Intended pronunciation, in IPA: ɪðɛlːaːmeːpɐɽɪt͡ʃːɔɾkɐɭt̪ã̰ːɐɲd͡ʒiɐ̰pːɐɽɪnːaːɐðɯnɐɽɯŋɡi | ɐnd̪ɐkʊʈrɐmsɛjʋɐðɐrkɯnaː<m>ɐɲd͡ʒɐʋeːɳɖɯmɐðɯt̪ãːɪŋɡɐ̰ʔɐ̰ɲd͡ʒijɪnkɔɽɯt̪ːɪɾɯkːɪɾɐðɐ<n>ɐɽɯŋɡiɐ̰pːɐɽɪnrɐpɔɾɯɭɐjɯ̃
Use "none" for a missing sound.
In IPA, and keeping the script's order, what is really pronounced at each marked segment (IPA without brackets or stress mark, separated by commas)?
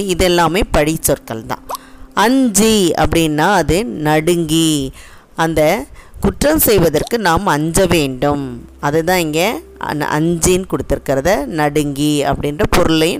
m, n